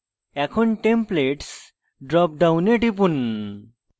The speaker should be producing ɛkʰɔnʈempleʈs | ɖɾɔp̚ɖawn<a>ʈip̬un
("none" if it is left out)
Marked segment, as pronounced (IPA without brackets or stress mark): e